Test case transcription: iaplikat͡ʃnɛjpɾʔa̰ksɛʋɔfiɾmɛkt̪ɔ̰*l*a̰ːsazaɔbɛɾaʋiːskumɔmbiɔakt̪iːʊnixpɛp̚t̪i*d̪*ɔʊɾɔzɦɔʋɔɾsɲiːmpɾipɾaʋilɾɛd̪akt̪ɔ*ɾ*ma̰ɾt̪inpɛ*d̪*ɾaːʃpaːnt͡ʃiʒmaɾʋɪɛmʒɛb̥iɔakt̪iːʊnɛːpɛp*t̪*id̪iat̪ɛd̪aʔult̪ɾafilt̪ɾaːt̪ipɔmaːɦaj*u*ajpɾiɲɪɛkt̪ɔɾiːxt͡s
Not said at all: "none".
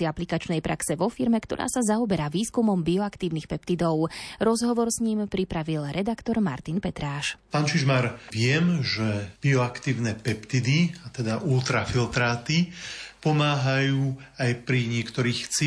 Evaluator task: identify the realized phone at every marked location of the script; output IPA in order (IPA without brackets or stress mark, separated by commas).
ɾ, d̪, ɾ, t̪, t̪, uː